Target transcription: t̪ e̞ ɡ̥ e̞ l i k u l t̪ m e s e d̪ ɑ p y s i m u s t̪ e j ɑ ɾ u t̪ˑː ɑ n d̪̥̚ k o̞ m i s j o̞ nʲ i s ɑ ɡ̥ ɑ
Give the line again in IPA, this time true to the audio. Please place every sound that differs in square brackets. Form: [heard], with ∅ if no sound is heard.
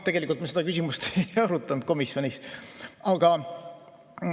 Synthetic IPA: t̪ e̞ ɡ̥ e̞ l i k u l t̪ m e s e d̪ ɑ [k] y s i m u s t̪ e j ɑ ɾ u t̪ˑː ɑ n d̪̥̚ k o̞ m i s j o̞ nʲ i s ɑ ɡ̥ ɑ